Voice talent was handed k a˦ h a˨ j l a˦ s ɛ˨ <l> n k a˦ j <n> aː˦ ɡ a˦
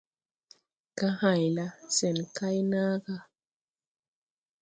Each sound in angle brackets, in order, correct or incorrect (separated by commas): incorrect, correct